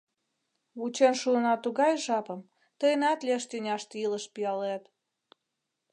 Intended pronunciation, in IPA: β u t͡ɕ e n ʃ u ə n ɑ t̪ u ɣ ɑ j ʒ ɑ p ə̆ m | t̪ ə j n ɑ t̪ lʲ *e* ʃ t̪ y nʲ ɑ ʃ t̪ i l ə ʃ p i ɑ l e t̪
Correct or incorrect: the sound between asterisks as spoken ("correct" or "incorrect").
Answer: correct